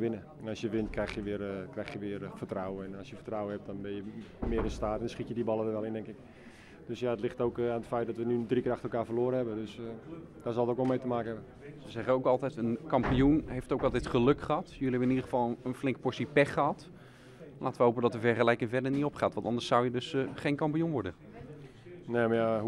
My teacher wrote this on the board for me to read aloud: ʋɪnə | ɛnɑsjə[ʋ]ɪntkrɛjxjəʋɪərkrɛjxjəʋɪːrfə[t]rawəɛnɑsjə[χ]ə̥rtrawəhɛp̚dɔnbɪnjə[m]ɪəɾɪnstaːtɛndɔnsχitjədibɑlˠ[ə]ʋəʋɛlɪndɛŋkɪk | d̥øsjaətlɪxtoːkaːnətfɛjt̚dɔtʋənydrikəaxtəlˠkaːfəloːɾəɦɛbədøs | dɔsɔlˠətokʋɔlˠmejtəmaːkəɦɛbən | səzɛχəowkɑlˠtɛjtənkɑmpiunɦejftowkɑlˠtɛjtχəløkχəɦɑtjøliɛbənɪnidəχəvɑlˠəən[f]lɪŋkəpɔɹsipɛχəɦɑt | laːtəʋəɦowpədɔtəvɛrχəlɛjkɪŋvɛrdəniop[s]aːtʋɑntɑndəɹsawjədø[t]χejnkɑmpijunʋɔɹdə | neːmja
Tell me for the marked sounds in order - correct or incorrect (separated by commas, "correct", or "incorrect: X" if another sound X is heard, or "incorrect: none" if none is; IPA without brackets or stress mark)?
correct, correct, incorrect: f, correct, correct, correct, incorrect: χ, incorrect: s